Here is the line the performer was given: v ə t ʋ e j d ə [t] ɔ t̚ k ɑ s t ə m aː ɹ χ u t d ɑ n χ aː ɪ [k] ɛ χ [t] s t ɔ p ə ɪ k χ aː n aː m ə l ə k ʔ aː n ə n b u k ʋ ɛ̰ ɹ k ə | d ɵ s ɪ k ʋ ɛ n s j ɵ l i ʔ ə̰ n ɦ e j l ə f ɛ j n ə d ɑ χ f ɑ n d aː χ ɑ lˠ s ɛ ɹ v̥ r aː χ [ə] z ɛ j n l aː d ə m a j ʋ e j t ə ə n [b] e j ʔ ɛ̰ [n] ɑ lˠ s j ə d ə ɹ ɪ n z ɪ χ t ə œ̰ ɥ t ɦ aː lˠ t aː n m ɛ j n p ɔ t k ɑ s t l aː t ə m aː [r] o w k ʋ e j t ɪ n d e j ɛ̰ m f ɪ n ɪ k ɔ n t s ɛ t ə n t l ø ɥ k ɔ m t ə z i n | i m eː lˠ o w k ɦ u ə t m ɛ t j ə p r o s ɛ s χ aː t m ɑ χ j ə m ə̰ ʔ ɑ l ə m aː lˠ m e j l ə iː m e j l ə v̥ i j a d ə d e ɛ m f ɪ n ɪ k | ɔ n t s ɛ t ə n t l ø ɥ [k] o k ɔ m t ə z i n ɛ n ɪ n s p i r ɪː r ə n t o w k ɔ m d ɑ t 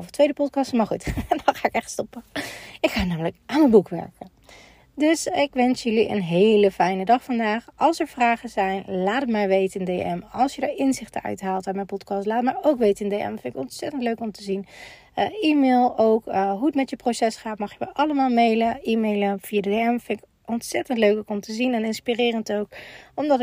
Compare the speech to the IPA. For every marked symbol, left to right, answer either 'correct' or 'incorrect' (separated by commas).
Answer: incorrect, correct, correct, correct, incorrect, incorrect, incorrect, correct